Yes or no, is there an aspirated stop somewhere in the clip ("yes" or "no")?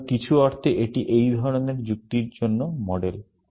yes